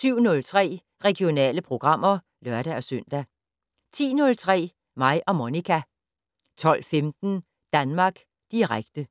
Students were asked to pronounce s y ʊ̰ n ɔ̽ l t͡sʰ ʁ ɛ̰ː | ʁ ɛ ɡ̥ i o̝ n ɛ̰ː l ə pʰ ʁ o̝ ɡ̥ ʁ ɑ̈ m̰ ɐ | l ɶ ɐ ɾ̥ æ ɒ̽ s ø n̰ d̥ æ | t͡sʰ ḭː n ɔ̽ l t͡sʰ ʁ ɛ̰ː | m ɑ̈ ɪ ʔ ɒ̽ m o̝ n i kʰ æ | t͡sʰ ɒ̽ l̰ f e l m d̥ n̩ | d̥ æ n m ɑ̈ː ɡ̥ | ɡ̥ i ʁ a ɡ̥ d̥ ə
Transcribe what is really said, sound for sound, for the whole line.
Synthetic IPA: s y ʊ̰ n ɔ̽ l t͡sʰ ʁ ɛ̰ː | ʁ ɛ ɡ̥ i o̝ n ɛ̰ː l ə pʰ ʁ o̝ ɡ̥ ʁ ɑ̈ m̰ ɐ | l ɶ ɐ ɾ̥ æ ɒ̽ s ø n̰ d̥ æ | t͡sʰ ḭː n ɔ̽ l t͡sʰ ʁ ɛ̰ː | m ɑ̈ ɪ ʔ ɒ̽ m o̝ n i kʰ æ | t͡sʰ ɒ̽ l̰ f e m d̥ n̩ | d̥ æ n m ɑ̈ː ɡ̥ | d̥ i ʁ a ɡ̥ d̥ ə